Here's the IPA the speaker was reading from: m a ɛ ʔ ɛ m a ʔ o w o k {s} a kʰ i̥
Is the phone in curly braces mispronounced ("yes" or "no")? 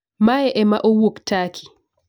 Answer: yes